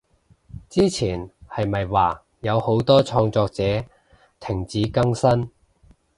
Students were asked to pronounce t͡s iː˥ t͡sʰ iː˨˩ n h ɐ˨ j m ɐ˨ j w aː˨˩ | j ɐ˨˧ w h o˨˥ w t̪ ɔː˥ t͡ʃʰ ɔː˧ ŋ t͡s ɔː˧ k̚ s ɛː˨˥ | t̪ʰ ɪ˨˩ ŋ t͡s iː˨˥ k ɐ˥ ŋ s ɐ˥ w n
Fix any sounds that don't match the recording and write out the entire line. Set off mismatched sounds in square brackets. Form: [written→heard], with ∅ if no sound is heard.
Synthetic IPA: t͡s iː˥ t͡sʰ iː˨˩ n h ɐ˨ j m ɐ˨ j w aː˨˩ | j ɐ˨˧ w h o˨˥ w t̪ ɔː˥ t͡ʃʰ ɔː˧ ŋ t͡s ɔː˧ k̚ [s→t͡s] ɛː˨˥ | t̪ʰ ɪ˨˩ ŋ t͡s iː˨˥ k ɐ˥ ŋ s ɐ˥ [w→∅] n